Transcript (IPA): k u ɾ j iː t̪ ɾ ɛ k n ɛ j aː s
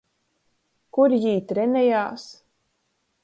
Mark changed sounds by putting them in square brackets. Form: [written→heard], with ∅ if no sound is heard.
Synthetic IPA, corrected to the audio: k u ɾ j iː t̪ ɾ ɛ [k→∅] n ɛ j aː s